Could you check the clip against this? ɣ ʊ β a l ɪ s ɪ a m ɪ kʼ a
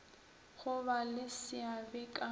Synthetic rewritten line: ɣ ʊ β a l ɪ s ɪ a b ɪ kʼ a